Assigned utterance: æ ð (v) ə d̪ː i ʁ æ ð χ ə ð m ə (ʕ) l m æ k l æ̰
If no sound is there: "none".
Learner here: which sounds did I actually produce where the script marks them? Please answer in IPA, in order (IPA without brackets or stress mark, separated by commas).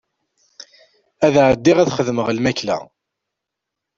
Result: ʕ, ʁ